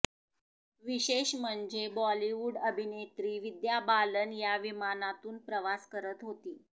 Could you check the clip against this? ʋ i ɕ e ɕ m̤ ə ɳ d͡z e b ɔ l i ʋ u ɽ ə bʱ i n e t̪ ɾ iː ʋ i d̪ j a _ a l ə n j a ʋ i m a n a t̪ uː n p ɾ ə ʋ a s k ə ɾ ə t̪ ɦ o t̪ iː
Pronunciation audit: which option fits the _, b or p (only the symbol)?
b